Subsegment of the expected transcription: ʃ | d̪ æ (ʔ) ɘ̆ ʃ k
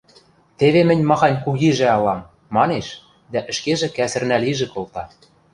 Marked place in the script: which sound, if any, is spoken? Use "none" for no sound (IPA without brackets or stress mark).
ʔ